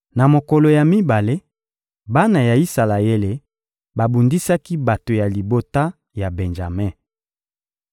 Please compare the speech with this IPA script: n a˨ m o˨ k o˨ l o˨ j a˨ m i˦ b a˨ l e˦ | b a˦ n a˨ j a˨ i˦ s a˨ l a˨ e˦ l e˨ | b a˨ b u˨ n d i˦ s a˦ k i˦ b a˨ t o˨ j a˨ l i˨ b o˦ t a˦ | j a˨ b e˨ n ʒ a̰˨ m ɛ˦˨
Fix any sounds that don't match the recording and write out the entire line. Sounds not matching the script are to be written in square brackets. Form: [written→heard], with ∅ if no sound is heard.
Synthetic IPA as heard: n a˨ m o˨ k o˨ l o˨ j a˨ m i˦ b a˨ l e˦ | b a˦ n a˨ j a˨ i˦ s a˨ l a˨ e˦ l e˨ | b a˨ b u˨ n d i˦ s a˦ k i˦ b a˨ t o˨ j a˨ l i˨ b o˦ t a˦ | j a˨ b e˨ n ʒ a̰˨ m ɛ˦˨